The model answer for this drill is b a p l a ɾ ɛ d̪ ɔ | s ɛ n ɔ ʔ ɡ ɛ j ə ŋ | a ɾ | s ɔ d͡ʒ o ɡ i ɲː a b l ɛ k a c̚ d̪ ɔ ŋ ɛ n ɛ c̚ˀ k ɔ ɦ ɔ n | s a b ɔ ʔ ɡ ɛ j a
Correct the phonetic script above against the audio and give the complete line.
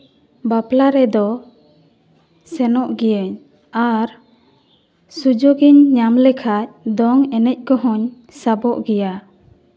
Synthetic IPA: b a p l a ɾ ɛ d̪ ɔ | s ɛ n ɔ ʔ ɡ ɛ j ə ɲ | a ɾ | s u d͡ʒ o ɡ i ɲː a m l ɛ kʰ a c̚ d̪ ɔ ŋ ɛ n ɛ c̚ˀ k ɔ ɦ ɔ ɲ | s a b ɔ ʔ ɡ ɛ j a